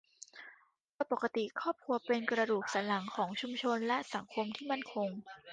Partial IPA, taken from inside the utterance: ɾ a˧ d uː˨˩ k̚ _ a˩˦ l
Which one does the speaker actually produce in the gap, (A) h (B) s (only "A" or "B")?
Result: B